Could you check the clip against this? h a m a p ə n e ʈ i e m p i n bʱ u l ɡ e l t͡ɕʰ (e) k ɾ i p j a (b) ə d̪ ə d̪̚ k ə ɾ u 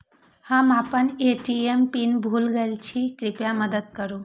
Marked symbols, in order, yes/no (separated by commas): no, no